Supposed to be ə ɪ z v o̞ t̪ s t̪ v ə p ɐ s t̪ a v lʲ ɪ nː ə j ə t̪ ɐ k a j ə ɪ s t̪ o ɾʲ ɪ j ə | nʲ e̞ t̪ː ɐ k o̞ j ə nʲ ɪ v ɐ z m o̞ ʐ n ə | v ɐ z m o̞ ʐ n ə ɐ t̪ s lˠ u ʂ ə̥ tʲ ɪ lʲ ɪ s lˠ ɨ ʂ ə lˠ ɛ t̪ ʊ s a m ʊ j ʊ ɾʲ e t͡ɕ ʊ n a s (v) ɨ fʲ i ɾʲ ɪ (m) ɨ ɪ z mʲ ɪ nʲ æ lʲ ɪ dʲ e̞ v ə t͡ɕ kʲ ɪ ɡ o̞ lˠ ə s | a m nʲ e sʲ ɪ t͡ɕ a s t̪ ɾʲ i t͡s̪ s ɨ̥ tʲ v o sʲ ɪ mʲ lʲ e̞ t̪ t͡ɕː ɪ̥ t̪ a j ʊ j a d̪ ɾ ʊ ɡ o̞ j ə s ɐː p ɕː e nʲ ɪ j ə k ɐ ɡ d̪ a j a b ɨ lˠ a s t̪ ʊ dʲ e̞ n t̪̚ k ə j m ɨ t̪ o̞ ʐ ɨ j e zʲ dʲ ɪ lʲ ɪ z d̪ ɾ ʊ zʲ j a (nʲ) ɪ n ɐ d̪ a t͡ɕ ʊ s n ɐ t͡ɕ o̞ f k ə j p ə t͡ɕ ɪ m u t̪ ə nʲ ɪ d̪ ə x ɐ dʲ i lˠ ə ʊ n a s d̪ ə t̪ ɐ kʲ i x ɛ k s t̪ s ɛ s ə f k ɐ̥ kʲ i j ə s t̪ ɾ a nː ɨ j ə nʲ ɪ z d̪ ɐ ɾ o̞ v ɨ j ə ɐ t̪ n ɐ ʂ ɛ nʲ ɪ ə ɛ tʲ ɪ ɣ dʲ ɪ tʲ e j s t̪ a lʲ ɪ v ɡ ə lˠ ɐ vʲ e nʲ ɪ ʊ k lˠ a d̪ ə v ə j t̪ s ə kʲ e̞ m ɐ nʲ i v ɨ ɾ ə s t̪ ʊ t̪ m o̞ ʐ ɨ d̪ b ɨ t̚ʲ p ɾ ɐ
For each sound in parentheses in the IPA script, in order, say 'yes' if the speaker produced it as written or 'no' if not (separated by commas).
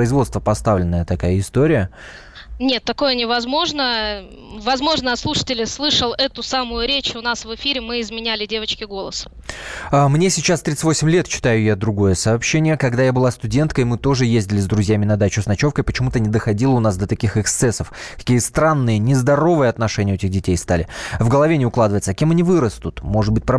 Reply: yes, yes, no